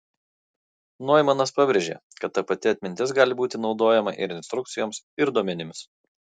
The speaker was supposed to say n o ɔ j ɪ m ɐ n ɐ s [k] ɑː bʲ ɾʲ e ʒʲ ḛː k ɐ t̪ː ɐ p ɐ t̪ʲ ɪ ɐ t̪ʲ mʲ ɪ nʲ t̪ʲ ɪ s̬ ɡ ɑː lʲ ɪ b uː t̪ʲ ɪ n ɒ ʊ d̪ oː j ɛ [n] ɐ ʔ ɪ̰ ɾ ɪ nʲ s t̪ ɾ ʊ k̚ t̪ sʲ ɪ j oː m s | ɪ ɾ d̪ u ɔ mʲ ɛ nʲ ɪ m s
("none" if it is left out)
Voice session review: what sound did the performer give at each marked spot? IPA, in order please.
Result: p, m

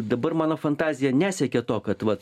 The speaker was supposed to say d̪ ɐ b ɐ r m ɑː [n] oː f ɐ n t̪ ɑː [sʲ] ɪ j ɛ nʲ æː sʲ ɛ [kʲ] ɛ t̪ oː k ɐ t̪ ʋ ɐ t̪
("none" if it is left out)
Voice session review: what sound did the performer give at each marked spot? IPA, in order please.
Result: n, zʲ, kʲ

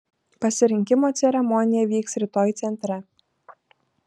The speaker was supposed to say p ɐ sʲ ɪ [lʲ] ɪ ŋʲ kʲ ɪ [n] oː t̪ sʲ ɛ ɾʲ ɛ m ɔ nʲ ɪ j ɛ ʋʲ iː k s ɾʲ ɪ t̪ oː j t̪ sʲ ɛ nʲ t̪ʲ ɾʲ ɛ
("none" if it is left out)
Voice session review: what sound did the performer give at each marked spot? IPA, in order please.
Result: ɾʲ, m

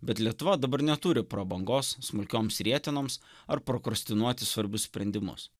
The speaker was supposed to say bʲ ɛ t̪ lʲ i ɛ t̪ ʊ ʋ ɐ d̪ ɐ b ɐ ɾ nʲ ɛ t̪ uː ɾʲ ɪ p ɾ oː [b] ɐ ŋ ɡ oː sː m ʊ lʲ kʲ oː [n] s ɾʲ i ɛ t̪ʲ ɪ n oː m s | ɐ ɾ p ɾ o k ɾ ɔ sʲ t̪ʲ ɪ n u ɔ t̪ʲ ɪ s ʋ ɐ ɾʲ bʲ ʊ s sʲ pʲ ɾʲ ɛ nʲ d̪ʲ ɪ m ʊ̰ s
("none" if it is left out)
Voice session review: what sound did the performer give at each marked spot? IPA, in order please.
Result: b, m

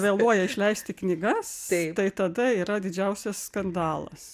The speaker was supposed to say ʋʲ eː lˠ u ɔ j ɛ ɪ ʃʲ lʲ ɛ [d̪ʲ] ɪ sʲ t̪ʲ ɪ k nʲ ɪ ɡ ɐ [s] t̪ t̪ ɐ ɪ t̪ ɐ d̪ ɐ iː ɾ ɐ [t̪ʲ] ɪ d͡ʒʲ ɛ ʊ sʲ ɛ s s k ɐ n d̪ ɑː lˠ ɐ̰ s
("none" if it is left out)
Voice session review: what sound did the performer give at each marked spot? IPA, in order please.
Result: none, s, d̪ʲ

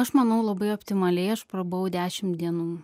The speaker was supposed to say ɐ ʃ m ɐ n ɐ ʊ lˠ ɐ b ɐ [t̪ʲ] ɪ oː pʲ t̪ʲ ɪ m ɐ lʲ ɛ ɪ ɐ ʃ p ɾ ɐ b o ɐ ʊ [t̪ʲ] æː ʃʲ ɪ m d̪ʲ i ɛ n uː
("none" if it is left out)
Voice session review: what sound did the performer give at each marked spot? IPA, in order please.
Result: none, d̪ʲ

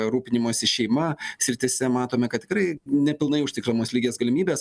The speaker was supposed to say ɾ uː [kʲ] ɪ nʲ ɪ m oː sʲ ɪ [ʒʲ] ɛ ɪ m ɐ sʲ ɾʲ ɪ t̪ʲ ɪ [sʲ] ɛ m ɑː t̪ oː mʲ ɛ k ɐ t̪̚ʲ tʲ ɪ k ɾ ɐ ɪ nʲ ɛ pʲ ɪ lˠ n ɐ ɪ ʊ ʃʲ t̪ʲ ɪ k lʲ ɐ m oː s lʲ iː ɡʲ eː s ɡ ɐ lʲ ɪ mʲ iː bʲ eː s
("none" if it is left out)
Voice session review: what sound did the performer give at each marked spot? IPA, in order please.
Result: pʲ, ʃʲ, sʲ

